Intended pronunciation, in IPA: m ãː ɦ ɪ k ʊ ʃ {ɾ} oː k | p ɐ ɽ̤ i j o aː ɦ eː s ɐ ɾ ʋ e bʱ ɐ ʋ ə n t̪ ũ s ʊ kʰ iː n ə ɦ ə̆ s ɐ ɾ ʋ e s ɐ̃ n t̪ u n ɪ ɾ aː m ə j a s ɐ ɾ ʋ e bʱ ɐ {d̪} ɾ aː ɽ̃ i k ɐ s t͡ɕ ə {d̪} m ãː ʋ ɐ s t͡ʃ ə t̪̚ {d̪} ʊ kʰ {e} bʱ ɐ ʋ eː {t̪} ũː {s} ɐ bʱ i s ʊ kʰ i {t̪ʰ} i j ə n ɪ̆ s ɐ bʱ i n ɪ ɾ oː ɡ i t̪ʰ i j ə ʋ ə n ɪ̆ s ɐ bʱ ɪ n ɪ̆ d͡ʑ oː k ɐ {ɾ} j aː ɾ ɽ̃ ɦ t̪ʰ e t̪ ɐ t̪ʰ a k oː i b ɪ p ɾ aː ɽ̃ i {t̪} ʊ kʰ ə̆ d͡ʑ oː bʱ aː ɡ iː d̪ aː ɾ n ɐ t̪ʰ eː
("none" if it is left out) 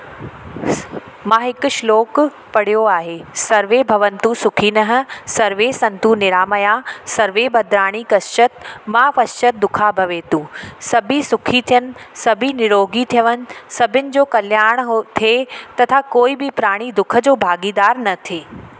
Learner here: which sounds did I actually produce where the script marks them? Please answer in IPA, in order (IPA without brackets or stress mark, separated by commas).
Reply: l, d̪, t̪, d̪, a, t̪, s, t̪ʰ, l, d̪